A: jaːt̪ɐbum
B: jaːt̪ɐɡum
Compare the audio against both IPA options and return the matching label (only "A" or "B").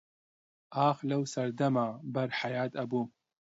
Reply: A